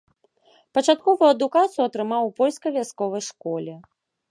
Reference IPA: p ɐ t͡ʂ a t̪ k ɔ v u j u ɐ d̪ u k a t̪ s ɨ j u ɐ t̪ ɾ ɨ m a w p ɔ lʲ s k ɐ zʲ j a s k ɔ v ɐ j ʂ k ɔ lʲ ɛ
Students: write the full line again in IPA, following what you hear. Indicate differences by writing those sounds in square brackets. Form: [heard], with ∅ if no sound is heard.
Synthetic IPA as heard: p ɐ t͡ʂ a t̪ k ɔ v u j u ɐ d̪ u k a t̪ s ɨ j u ɐ t̪ ɾ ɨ m a w p ɔ lʲ s k ɐ [vʲ] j a s k ɔ v ɐ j ʂ k ɔ lʲ ɛ